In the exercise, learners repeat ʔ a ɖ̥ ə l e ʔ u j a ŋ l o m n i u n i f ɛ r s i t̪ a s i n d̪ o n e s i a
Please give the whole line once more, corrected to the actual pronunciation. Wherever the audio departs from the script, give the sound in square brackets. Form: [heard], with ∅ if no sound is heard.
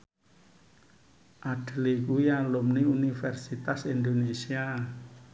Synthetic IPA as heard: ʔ a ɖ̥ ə l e [k] u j a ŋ l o m n i u n i f ɛ r s i t̪ a s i n d̪ o n e s i a